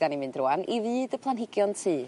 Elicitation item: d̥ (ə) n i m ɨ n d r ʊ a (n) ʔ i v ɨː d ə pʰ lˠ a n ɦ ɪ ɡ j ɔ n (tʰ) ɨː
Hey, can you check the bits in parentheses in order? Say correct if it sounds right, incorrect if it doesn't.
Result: incorrect: a, correct, correct

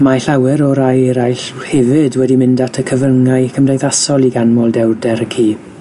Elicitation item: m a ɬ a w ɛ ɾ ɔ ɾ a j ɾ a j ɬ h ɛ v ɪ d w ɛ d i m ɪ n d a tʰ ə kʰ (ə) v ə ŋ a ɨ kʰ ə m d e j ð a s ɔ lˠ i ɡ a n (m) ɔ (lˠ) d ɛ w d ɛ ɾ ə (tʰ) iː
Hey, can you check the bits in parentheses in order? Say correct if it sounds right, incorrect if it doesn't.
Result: correct, correct, correct, incorrect: kʰ

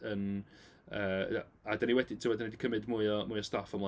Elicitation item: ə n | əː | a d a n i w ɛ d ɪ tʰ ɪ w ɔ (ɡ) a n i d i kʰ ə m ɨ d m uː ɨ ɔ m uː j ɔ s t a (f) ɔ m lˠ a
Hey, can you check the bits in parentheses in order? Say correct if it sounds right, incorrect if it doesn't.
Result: incorrect: d, correct

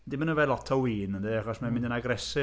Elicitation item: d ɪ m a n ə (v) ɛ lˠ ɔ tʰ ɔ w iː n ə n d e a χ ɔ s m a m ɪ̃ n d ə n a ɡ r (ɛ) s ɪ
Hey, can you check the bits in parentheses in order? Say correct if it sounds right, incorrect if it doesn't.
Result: correct, correct

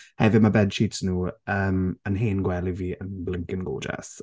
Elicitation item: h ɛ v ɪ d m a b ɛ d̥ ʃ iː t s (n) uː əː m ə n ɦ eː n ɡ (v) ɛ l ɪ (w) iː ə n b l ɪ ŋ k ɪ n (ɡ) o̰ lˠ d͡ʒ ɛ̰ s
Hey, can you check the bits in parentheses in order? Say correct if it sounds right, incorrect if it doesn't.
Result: correct, incorrect: w, incorrect: v, correct

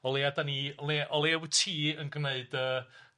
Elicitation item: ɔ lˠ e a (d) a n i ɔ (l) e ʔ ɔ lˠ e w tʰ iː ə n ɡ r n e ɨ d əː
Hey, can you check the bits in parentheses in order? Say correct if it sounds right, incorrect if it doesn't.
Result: correct, correct

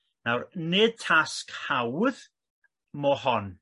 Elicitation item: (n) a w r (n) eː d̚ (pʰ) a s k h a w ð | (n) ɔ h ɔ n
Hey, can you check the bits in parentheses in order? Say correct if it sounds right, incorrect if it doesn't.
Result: correct, correct, incorrect: tʰ, incorrect: m

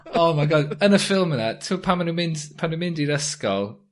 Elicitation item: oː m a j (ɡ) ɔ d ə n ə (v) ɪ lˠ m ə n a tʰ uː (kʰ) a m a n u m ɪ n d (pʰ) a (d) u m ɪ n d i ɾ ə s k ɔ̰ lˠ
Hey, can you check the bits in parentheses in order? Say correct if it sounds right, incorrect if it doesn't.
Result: correct, incorrect: f, incorrect: pʰ, correct, incorrect: n

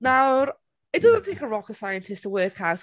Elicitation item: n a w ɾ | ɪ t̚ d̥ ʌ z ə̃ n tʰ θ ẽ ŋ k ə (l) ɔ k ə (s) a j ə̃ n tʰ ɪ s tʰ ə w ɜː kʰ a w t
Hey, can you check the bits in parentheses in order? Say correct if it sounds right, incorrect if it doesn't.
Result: incorrect: ɹ, correct

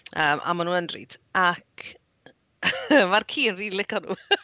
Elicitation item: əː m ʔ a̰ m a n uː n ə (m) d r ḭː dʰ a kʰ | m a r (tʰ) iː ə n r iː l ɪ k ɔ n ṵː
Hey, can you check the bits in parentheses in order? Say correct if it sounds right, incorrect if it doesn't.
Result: incorrect: n, incorrect: kʰ

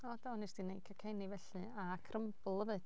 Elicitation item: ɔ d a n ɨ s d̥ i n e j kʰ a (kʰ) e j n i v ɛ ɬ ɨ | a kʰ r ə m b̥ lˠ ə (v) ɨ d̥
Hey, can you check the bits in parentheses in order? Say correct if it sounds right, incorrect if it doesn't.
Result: correct, correct

